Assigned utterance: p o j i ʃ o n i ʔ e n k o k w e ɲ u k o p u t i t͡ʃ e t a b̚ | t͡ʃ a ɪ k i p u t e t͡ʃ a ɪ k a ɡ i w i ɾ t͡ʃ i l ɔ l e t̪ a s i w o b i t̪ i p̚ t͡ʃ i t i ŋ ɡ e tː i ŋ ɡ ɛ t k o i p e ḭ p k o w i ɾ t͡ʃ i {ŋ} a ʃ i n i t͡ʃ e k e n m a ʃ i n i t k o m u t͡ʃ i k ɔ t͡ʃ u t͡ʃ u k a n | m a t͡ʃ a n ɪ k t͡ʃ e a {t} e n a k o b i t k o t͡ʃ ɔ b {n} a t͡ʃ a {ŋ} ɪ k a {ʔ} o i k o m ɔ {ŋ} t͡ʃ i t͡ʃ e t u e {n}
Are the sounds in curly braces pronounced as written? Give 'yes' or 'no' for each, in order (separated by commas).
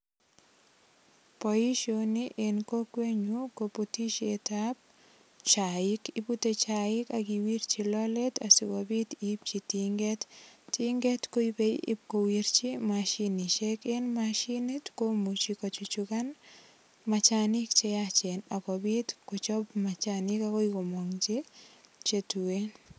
no, no, no, no, no, yes, yes